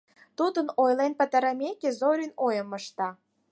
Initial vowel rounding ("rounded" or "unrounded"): rounded